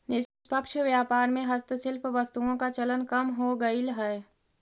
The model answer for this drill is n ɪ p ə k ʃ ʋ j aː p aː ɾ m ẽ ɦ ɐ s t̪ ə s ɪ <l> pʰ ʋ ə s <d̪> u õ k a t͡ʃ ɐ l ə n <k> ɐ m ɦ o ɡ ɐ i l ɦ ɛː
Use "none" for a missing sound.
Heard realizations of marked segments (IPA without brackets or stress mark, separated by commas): l, t̪, k